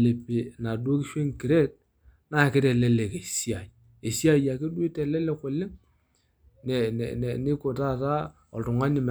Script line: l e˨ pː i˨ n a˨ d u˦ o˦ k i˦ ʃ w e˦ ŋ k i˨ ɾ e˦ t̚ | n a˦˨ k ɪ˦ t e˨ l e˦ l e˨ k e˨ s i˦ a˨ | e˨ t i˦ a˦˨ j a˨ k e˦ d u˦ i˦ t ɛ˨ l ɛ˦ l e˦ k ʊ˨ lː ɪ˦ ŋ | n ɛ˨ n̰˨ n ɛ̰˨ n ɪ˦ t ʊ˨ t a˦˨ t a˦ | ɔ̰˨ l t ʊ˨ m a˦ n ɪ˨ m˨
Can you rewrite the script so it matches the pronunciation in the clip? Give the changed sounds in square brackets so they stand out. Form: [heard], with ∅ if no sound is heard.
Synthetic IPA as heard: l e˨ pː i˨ n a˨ d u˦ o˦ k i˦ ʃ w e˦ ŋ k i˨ ɾ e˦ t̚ | n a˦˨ k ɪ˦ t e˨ l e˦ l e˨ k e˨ s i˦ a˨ | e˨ [s] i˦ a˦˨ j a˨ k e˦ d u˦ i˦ t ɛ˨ l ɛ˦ l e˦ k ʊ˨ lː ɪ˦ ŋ | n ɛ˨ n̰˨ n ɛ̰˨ n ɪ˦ [k] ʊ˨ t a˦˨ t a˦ | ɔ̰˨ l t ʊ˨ [ŋ] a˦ n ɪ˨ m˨